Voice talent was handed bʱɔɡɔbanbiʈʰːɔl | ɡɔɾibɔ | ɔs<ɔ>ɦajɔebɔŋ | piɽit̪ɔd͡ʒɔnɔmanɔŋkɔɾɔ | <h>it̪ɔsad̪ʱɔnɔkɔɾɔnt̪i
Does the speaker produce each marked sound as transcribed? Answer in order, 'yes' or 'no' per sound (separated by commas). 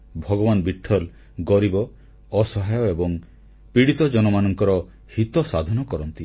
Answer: yes, yes